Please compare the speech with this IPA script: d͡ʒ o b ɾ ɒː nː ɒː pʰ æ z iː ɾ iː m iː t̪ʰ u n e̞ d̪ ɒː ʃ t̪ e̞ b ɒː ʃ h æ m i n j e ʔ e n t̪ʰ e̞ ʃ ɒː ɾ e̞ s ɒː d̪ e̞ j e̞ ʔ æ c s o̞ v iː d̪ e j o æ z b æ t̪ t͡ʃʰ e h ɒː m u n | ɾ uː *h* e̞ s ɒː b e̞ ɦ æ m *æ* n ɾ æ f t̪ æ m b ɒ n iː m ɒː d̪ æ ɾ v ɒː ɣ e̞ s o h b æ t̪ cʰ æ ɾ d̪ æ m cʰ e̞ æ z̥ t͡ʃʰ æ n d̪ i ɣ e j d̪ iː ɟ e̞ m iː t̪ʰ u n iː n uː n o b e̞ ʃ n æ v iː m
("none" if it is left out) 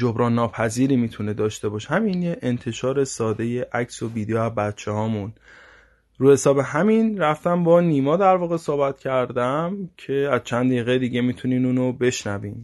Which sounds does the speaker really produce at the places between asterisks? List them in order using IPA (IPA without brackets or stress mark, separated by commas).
h, i